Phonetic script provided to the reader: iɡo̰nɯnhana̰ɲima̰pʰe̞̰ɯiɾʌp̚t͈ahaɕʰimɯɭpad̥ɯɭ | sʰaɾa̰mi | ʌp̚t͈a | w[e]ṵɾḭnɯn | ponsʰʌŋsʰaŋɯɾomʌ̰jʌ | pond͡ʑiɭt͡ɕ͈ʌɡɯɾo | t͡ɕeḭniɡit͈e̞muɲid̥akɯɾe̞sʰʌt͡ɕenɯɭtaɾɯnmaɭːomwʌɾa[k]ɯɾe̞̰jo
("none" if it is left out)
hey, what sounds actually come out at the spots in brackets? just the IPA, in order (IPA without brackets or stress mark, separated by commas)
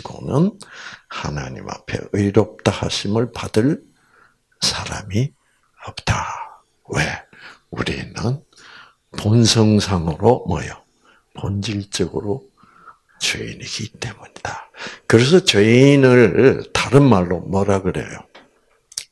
e, ɡ